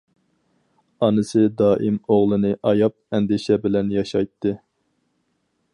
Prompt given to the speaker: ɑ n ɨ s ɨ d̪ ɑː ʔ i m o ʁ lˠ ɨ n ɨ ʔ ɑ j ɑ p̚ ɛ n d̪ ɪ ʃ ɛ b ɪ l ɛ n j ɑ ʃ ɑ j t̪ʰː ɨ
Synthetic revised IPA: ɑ n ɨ s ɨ d̪ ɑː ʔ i m o ʁ lˠ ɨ n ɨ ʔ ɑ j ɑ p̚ ɛ n d̪ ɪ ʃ ɛ b ɪ l ɛ n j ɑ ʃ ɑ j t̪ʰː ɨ